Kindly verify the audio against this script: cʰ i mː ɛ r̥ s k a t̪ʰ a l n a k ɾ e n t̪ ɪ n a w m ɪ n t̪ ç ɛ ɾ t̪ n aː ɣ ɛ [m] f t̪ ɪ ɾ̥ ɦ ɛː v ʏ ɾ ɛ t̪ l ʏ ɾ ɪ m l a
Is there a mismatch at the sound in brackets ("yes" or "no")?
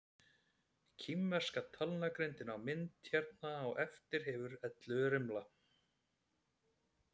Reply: yes